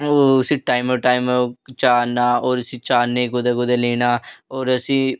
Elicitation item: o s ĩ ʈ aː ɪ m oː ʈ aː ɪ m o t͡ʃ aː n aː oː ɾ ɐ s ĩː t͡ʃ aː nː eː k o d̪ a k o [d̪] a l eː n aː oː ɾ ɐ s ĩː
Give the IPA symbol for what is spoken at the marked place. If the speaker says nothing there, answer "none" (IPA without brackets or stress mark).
d̪